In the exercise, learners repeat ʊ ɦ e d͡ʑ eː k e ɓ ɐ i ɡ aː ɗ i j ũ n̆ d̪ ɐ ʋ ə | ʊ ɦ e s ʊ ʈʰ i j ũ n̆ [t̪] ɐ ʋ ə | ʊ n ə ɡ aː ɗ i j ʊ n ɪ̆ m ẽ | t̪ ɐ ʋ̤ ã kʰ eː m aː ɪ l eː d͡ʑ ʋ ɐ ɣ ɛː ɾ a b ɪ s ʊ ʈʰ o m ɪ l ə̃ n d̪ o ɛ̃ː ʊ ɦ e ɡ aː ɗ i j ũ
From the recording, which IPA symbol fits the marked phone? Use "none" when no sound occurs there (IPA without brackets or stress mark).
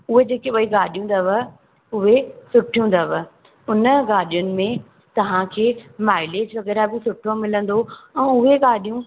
d̪